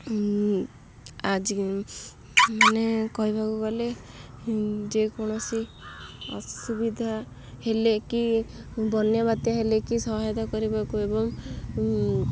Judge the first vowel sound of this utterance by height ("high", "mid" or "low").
low